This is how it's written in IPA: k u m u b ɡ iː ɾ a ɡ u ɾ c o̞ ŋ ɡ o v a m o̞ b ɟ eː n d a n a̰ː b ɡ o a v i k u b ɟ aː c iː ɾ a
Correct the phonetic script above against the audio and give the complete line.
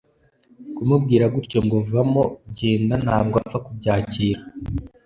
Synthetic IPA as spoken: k u m u b ɡ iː ɾ a ɡ u ɾ c o̞ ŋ ɡ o v a m o̞ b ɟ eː n d a n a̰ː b ɡ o a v a k u b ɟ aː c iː ɾ a